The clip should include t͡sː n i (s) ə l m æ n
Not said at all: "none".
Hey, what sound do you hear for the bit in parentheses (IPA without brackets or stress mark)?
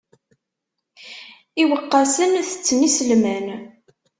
s